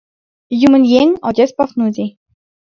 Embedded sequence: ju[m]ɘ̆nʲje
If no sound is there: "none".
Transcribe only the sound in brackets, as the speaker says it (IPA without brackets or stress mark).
m